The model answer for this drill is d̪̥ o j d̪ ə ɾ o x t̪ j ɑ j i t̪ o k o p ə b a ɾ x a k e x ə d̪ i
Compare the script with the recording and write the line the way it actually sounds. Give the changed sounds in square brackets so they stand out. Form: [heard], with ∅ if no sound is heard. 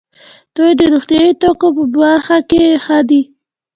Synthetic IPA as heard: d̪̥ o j d̪ ə ɾ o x t̪ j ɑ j i t̪ o k o p ə b a ɾ x a k e x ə d̪ i